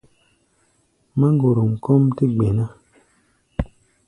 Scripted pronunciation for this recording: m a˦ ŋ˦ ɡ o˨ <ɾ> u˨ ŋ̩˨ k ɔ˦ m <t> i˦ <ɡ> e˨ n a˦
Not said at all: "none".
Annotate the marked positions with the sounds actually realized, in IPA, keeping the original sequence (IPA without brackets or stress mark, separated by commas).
ɾ, t, ɡ͡b